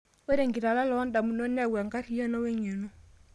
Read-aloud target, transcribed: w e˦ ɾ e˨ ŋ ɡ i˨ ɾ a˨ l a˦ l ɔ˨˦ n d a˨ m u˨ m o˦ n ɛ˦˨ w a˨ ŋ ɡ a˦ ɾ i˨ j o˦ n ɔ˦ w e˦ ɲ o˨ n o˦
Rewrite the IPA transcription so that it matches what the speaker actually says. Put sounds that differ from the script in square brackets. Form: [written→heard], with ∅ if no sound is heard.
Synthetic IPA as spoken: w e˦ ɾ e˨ ŋ ɡ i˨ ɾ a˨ l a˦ l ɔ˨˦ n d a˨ m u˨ [m→n] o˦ n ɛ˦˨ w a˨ ŋ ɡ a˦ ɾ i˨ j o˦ n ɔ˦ w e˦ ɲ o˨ n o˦